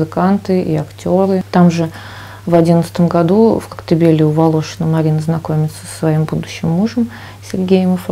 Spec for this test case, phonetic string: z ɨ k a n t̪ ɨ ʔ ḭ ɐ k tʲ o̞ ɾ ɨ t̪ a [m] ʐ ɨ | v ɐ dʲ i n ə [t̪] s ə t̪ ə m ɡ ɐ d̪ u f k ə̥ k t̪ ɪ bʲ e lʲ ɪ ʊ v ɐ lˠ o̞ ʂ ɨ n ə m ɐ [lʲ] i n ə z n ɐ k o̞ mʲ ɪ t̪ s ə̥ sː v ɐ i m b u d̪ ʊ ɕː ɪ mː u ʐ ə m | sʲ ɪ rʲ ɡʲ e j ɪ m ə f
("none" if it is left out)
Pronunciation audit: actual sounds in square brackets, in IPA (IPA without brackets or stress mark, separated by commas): m, t̪, ɾʲ